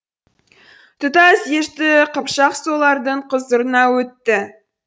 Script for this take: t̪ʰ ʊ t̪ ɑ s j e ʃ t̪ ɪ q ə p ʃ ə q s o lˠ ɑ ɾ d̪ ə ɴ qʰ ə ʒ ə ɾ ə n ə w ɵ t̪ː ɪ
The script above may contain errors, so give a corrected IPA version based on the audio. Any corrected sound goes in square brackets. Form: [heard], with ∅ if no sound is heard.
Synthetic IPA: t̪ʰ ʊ t̪ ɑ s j e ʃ t̪ ɪ q ə p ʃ [ɑ] q s o lˠ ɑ ɾ d̪ ə ɴ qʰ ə [z] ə ɾ ə n [ɑ] w ɵ t̪ː ɪ